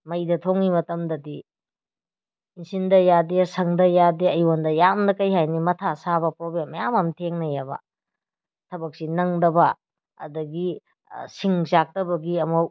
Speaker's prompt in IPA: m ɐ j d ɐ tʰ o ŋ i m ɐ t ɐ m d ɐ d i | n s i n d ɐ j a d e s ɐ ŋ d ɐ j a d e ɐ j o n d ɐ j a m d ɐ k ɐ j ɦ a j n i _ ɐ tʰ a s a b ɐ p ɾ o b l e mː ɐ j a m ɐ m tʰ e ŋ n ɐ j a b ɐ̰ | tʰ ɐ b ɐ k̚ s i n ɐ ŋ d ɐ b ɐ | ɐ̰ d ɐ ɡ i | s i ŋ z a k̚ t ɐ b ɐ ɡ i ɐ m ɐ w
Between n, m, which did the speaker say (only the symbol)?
m